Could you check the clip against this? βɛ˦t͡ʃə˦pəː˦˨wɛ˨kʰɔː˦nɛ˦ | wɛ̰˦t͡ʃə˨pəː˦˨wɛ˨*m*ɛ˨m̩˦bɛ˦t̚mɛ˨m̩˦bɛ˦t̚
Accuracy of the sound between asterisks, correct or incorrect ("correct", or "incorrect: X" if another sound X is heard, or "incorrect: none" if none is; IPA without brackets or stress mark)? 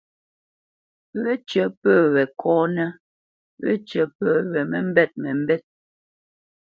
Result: correct